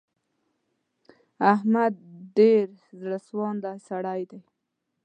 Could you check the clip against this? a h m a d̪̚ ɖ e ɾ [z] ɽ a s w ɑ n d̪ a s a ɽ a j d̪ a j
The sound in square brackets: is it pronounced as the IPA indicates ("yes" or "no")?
yes